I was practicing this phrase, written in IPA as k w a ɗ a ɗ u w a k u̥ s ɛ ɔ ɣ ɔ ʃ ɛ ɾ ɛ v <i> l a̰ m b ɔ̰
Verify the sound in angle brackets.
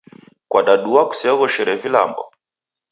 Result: correct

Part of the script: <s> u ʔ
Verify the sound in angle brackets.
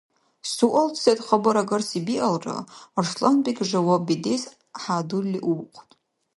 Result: correct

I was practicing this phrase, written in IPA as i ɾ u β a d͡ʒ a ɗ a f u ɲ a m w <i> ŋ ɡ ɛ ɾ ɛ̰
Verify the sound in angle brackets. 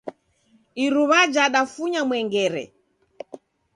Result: incorrect: ɛ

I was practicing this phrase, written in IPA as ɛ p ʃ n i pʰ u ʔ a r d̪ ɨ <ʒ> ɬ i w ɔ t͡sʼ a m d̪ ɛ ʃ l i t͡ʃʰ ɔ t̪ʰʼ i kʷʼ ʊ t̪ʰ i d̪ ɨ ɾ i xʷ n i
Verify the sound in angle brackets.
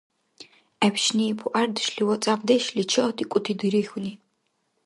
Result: incorrect: ʃ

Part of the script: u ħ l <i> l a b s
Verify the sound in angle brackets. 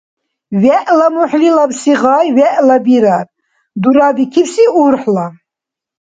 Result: correct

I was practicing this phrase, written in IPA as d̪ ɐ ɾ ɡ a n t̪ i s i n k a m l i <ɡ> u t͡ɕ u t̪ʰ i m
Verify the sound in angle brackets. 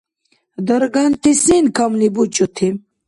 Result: incorrect: b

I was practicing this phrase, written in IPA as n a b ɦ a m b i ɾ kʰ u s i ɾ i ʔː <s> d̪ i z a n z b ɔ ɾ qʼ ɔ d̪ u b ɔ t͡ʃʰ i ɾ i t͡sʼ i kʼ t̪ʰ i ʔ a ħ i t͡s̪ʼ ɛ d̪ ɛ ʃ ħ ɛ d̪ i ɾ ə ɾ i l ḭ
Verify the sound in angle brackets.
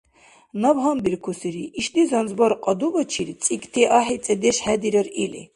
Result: incorrect: ʃ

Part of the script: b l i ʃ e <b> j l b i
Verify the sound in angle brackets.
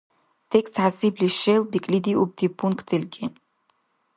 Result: incorrect: none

